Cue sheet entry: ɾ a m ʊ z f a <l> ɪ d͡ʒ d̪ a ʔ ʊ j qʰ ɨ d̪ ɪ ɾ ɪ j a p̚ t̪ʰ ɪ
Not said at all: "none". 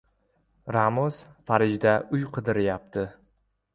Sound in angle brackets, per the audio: ɾ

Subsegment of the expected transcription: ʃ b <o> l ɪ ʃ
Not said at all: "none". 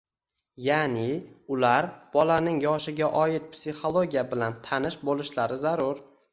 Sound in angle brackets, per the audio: o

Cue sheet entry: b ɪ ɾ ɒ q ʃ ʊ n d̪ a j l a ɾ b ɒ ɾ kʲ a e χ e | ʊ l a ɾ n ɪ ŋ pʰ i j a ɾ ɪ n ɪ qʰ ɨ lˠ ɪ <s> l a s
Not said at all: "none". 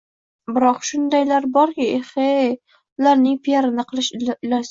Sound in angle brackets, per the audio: ʃ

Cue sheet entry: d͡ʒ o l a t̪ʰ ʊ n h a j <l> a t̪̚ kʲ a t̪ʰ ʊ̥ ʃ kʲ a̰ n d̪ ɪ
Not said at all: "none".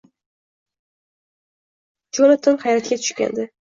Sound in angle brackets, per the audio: ɾ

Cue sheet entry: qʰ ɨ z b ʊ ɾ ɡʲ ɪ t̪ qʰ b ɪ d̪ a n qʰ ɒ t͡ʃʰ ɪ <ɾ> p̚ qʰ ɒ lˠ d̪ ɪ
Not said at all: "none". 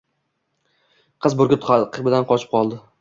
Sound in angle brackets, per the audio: none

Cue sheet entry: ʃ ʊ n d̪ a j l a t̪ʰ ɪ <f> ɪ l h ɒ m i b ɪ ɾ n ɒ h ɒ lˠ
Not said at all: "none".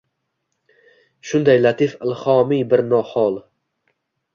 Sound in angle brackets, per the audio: f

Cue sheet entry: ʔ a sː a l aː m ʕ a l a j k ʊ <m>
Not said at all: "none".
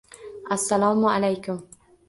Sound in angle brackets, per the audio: m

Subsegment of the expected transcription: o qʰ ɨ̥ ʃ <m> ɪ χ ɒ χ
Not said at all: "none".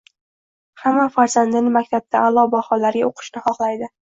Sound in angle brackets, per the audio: n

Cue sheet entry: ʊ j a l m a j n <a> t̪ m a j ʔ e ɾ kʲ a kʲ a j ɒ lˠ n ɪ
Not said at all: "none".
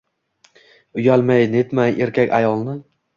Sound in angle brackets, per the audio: e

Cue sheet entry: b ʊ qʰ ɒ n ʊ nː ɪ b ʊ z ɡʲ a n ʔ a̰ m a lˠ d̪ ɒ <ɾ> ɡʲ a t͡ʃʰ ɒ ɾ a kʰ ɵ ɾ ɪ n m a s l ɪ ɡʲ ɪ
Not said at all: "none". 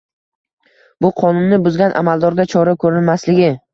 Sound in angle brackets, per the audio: ɾ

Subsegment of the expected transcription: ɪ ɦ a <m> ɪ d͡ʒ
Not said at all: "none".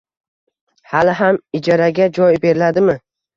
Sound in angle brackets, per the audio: m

